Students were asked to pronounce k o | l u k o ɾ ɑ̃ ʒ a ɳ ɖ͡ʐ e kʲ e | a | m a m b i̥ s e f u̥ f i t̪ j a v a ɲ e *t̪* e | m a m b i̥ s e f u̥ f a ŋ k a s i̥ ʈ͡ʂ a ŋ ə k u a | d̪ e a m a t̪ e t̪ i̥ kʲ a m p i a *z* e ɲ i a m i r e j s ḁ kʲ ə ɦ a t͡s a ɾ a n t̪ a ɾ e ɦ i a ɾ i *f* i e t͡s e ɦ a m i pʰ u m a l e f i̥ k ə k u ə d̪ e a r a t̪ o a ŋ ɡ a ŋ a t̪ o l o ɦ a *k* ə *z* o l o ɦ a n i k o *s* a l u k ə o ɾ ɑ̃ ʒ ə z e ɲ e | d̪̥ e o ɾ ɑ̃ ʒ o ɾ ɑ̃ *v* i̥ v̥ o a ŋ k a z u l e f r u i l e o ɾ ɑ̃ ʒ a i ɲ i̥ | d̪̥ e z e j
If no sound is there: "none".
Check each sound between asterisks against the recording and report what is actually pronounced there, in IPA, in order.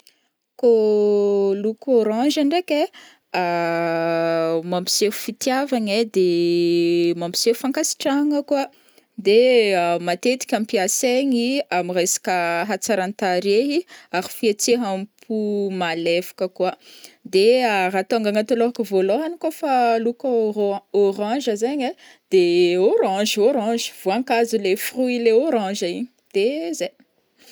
d̪, s, f, k, v, f, ʒ

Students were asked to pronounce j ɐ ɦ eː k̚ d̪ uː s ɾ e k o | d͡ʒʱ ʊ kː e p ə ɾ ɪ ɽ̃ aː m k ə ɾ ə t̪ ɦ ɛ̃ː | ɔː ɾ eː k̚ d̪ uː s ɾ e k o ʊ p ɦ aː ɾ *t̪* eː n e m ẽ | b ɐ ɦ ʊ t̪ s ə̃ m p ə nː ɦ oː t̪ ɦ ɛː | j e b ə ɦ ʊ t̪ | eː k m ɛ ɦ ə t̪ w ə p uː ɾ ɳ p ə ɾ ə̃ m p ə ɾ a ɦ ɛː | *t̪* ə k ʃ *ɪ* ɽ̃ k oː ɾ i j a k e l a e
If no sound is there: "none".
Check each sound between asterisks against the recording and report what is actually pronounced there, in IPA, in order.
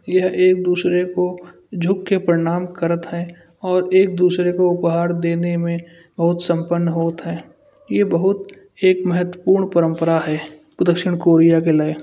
d̪, d̪, ɪ

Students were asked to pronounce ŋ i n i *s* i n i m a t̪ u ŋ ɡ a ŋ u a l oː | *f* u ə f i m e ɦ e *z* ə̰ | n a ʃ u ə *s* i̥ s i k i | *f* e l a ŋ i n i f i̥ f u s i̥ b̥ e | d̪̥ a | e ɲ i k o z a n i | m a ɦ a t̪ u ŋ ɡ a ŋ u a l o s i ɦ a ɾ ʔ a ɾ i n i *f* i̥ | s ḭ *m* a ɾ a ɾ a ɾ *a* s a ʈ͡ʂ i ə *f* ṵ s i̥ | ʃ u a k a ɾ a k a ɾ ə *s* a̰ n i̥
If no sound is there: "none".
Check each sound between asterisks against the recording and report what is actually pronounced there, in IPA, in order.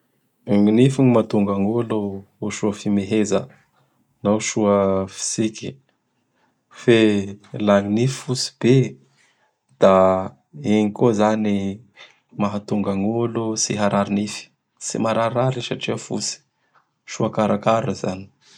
f, ʃ, z, f, f, f, m, i, f, z

